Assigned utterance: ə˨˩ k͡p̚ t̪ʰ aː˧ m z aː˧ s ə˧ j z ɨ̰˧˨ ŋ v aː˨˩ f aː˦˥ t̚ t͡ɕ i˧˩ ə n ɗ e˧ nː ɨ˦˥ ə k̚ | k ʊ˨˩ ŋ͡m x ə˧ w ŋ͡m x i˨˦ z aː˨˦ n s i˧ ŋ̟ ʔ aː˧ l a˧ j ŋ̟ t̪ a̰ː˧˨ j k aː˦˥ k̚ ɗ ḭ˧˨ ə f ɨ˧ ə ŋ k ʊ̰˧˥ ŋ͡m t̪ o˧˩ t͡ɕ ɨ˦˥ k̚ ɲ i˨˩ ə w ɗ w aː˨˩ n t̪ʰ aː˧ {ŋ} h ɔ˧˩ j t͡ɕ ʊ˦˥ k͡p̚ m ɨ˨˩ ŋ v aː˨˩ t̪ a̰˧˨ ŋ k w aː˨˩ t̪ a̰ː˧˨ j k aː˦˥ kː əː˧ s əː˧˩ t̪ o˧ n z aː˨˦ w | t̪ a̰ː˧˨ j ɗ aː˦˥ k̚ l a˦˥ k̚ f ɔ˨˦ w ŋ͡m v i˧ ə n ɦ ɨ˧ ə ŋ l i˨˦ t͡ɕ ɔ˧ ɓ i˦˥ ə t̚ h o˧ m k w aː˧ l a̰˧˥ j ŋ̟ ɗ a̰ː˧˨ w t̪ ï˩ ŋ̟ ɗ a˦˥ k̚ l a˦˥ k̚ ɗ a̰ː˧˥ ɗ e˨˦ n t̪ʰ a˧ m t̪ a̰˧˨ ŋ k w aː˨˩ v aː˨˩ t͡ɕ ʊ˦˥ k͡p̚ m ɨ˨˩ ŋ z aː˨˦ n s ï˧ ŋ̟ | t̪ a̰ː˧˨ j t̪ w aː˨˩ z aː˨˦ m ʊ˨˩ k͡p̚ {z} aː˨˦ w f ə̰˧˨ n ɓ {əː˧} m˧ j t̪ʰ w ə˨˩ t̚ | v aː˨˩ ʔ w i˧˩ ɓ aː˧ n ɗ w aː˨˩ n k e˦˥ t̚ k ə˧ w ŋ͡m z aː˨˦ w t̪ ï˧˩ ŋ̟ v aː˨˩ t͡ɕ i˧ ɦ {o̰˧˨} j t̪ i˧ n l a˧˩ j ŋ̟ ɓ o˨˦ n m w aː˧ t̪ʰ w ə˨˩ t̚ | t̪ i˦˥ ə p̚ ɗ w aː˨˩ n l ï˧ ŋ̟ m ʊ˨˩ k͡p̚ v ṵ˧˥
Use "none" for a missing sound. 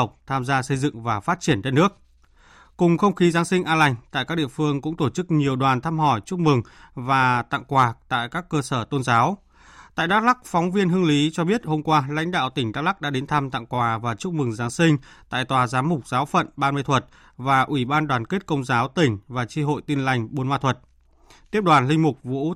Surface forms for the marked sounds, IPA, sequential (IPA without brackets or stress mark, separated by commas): m, z, aː˧, o̰˧˨